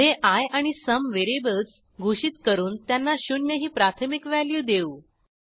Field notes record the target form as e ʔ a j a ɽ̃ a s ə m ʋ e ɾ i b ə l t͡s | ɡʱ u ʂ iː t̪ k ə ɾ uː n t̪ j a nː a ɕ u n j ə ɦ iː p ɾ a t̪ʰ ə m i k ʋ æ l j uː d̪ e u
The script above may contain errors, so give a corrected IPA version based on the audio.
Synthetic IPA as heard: e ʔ a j a ɽ̃ i s ə m ʋ e ɾ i b ə l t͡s | ɡʱ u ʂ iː t̪ k ə ɾ uː n t̪ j a nː a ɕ u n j ə ɦ iː p ɾ a t̪ʰ ə m i k ʋ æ l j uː d̪ e u